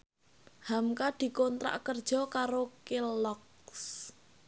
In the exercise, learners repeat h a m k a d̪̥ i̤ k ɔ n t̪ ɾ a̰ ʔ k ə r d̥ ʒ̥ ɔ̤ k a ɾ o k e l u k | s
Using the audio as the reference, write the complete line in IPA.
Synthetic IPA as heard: h a m k a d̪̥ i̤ k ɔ n t̪ ɾ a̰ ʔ k ə r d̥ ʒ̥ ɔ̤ k a ɾ o k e l ɔ k | s